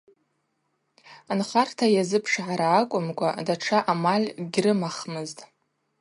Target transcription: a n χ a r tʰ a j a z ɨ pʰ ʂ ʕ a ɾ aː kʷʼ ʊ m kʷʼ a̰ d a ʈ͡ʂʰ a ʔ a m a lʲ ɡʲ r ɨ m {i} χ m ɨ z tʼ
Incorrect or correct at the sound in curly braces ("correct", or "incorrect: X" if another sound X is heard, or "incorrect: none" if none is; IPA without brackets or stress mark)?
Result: incorrect: a